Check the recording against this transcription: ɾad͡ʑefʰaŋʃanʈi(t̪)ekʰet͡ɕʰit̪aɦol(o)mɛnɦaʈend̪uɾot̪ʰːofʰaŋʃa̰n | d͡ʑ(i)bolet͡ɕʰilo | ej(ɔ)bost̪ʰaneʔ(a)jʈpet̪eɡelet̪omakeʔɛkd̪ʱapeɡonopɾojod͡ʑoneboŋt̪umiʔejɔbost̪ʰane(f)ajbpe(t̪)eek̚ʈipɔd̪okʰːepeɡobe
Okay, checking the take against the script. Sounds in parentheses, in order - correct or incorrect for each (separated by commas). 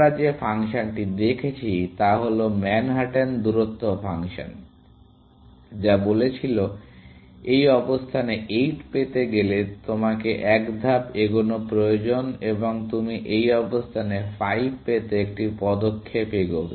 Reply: incorrect, correct, incorrect, correct, incorrect, correct, correct